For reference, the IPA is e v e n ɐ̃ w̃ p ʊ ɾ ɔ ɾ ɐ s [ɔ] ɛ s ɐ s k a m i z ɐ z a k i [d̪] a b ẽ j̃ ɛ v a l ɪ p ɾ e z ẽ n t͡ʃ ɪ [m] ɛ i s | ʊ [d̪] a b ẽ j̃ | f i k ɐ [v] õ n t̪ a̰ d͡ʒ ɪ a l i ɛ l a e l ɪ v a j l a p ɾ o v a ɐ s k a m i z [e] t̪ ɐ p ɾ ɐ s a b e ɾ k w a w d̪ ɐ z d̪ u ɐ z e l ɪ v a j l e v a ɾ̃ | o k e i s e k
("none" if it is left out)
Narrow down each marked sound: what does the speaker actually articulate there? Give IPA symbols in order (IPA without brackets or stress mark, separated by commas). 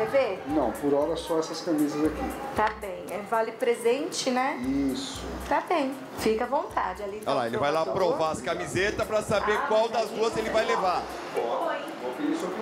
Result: ɔ, t̪, n, t̪, v, e